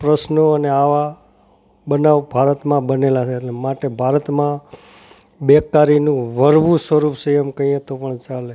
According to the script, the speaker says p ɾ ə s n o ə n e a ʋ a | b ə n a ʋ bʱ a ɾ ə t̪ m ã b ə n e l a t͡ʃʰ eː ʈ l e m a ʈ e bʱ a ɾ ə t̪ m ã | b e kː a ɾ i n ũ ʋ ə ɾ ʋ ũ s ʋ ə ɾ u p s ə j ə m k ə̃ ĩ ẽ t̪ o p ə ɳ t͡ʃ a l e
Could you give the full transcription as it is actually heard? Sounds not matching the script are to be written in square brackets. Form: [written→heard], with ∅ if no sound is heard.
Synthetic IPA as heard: p ɾ ə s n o ə n e a ʋ a | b ə n a ʋ bʱ a ɾ ə t̪ m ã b ə n e l a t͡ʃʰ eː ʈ l e m a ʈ e bʱ a ɾ ə t̪ m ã | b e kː a ɾ i n ũ ʋ ə ɾ ʋ ũ s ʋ ə ɾ u p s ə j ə m k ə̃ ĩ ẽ t̪ o p ə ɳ t͡ʃ a l e